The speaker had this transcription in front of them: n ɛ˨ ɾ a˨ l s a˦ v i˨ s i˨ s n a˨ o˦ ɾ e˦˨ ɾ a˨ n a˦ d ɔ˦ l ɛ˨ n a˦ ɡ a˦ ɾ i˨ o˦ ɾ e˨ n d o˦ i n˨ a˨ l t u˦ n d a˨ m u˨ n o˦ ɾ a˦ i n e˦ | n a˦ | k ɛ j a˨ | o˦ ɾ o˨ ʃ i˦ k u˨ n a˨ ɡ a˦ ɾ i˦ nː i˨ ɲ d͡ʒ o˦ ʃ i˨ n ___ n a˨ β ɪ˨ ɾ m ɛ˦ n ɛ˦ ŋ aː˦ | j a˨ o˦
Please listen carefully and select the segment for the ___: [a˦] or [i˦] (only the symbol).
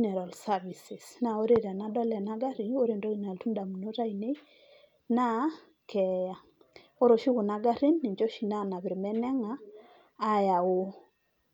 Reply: a˦